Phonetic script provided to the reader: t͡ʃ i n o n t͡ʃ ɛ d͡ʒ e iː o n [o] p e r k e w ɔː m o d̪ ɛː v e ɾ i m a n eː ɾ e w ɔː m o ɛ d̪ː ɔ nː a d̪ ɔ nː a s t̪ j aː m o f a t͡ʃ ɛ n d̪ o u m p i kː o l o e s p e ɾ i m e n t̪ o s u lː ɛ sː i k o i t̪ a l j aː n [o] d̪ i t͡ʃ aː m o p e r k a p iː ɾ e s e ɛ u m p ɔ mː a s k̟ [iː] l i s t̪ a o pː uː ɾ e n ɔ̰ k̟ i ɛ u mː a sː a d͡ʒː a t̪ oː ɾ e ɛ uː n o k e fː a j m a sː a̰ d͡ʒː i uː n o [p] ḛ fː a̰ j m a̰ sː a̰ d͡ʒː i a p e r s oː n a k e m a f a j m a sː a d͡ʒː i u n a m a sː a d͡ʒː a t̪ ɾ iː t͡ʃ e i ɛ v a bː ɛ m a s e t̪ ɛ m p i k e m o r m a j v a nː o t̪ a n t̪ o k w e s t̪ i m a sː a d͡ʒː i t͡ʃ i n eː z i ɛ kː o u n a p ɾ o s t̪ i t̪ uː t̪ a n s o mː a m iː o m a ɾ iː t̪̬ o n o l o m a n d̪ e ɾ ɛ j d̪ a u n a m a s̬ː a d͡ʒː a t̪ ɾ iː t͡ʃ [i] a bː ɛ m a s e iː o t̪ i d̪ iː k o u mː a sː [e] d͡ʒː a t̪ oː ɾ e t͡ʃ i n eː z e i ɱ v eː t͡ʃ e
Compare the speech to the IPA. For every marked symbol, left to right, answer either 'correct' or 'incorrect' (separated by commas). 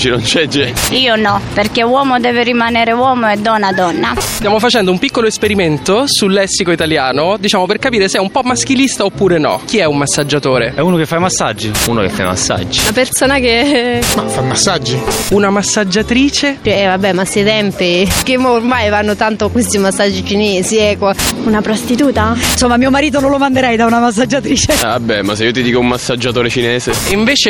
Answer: incorrect, correct, incorrect, incorrect, incorrect, incorrect